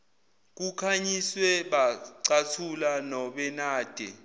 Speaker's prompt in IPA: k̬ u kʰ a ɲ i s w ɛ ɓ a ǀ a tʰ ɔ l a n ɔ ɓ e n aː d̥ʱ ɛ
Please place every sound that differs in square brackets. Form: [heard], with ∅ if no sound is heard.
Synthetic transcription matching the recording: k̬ u kʰ a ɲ i s w ɛ ɓ a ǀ a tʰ [u] l a n ɔ ɓ [ɛ] n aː d̥ʱ ɛ